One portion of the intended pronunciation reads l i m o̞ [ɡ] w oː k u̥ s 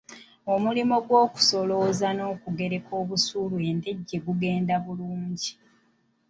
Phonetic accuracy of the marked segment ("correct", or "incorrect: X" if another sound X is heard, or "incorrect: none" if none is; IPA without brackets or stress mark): correct